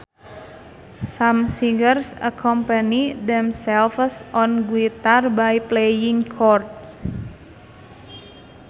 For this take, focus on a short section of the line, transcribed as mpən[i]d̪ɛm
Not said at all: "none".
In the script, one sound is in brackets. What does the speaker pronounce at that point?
i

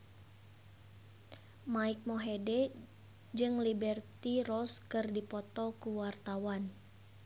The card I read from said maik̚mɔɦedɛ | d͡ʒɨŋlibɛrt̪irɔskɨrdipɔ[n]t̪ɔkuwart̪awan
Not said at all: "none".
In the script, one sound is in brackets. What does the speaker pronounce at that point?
none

